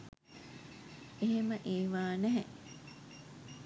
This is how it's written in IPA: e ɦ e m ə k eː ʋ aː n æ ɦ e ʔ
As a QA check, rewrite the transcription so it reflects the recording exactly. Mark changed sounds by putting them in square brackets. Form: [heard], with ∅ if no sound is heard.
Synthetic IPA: e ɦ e m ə [ʔ] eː ʋ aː n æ ɦ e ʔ